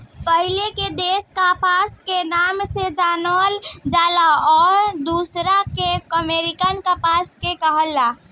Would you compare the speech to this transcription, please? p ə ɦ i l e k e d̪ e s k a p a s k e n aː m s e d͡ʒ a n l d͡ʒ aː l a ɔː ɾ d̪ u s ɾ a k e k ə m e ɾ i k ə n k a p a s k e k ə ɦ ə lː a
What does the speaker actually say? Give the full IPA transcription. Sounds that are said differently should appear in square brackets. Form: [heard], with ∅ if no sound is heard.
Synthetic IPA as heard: p ə ɦ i l e k e d̪ e s k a p a s k e n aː m s e d͡ʒ a n l d͡ʒ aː l a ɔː ɾ d̪ u s ɾ a k e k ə m e ɾ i k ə n k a p a s k e k ə ɦ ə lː a